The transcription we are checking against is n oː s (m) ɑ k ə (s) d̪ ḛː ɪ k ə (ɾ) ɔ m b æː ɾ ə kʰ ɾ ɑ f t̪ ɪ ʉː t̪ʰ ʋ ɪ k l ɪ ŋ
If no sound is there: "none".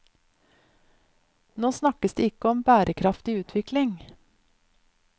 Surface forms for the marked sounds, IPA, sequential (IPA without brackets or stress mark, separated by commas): n, s, none